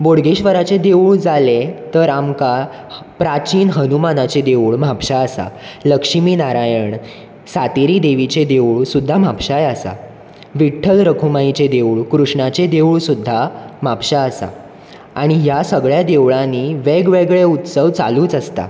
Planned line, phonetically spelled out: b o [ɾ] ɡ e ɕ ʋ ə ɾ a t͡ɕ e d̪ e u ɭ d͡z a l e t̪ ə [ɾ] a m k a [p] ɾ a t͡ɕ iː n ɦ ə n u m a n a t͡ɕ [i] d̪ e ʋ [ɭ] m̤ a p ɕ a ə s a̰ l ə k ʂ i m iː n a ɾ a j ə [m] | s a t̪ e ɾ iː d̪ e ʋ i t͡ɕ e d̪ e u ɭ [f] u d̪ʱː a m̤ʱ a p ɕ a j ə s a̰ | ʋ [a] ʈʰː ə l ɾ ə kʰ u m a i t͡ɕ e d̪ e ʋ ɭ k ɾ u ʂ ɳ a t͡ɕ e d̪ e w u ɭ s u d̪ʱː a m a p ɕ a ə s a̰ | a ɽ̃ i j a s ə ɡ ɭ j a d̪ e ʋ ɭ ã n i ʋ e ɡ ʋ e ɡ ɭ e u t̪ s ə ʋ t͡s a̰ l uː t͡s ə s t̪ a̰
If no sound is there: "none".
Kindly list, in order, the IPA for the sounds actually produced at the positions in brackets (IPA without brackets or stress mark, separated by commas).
ɽ, ɾ, p, e, ɭ, ɳ, s, i